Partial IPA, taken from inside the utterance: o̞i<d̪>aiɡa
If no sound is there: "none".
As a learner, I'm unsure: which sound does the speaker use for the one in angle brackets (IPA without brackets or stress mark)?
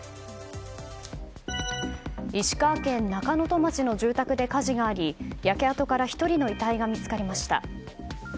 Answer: t̪